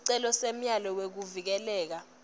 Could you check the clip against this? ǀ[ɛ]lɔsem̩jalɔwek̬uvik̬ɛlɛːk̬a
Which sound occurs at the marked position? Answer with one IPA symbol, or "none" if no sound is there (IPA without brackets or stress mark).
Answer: ɛ